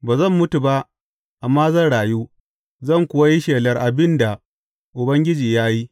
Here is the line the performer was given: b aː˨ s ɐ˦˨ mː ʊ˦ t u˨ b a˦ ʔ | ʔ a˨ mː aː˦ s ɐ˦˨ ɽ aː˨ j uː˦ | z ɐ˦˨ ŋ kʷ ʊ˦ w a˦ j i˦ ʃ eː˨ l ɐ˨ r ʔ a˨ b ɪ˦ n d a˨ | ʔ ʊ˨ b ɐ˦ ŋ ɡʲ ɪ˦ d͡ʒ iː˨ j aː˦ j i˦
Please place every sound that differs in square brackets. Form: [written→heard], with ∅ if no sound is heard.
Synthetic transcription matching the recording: b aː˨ [s→z] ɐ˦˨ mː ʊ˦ t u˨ b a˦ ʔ | ʔ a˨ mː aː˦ [s→z] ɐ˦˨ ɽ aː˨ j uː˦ | z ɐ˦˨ ŋ kʷ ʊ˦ w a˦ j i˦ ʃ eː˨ l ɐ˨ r ʔ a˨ b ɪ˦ n d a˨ | ʔ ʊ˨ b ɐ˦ ŋ ɡʲ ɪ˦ d͡ʒ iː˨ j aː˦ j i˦